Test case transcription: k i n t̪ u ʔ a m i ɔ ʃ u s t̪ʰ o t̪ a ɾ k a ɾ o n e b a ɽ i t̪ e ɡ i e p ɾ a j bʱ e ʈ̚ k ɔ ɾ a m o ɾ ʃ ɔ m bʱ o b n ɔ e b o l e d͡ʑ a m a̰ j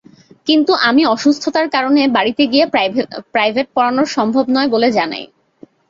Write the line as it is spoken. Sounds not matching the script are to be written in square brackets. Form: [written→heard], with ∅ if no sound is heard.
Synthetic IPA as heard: k i n t̪ u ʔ a m i ɔ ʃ u s t̪ʰ o t̪ a ɾ k a ɾ o n e b a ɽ i t̪ e ɡ i e p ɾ a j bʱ e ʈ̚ [k→p] ɔ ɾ a [m→n] o ɾ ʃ ɔ m bʱ o b n ɔ e b o l e d͡ʑ a [m→n] a̰ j